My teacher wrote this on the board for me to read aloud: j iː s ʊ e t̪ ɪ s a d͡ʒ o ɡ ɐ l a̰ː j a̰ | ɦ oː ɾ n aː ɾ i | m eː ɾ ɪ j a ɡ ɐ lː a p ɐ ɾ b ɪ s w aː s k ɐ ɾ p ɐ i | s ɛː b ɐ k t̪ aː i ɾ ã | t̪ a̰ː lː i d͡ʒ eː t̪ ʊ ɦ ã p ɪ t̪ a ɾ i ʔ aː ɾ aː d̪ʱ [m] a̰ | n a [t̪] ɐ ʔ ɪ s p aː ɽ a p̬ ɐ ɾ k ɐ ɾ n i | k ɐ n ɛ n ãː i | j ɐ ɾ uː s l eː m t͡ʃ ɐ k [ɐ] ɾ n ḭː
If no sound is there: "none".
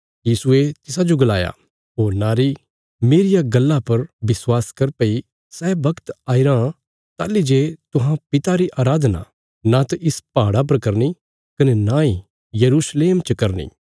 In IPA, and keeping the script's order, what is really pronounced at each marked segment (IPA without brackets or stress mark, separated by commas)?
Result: n, t̪, ɐ